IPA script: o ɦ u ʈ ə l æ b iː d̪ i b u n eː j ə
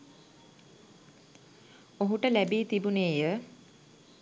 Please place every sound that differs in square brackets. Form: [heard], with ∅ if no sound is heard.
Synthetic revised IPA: o ɦ u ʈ ə l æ b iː [t̪] i b u n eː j ə